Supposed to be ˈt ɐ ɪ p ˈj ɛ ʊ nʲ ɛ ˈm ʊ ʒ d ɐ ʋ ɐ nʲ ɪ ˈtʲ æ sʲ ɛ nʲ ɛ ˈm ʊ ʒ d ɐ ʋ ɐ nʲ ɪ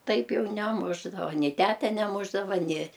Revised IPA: ˈt ɐ ɪ p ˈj ɛ ʊ nʲ ɛ ˈm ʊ ʒ d ɐ ʋ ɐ nʲ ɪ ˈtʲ æ tʲ ɛ nʲ ɛ ˈm ʊ ʒ d ɐ ʋ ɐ nʲ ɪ